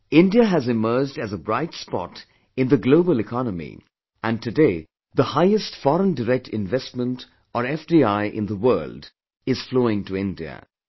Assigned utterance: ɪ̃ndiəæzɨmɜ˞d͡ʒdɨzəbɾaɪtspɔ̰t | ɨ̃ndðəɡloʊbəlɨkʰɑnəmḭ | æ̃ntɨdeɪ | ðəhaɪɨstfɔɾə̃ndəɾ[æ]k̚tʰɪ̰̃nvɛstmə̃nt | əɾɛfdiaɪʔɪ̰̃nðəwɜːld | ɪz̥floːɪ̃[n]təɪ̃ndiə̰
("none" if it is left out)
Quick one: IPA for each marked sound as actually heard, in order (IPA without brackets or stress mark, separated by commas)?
ɛ, ŋ